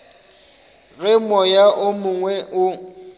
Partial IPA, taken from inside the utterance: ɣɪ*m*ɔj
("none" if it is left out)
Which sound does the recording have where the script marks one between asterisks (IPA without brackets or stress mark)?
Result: m